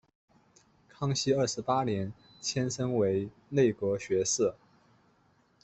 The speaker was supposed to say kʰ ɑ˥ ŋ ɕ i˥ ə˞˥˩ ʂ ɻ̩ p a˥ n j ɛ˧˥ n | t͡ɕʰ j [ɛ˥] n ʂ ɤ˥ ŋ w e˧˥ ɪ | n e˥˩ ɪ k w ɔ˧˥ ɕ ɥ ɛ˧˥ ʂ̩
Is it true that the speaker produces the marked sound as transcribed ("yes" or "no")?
yes